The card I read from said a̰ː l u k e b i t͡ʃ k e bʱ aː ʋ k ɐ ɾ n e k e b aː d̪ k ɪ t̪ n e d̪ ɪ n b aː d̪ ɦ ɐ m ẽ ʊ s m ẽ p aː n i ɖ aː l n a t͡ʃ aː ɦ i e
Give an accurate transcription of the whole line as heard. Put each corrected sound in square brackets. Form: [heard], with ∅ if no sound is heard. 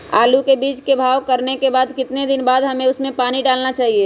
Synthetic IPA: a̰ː l u k e b [iː] t͡ʃ k e bʱ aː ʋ k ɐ ɾ n e k e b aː d̪ k ɪ t̪ n e d̪ ɪ n b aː d̪ ɦ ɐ m ẽ ʊ s m ẽ p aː n i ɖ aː l n a t͡ʃ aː ɦ i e